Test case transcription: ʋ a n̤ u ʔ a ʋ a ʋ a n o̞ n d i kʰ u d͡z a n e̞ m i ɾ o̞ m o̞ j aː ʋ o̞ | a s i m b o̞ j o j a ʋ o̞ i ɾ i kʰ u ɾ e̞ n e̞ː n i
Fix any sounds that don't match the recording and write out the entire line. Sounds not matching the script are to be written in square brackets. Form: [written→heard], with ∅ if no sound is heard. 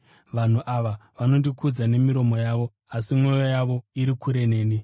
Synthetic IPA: ʋ a n̤ u ʔ a ʋ a ʋ a n o̞ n d i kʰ u d͡z a n e̞ m i ɾ o̞ m o̞ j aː ʋ o̞ | a s i m [b→w] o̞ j o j a ʋ o̞ i ɾ i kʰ u ɾ e̞ n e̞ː n i